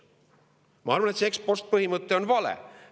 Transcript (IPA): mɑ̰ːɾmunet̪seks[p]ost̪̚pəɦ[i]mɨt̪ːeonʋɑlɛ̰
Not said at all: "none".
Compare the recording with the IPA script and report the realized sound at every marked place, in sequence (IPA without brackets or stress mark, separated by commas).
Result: p, i